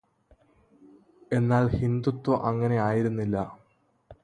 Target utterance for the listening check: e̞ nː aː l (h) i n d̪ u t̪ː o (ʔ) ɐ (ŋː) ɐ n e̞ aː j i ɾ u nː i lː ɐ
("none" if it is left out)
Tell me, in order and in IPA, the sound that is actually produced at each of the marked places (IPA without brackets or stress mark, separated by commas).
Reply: h, ʔ, ŋː